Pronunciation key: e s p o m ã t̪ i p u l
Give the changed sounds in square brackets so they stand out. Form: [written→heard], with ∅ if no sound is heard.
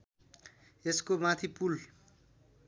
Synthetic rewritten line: e s [p→k] o m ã [t̪→t̪ʰ] i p u l